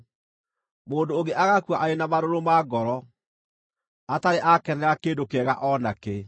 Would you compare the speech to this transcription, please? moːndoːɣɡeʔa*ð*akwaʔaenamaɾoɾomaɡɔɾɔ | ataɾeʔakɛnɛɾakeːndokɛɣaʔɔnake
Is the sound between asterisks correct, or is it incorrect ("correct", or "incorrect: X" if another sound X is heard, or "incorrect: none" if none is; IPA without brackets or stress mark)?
incorrect: ɣ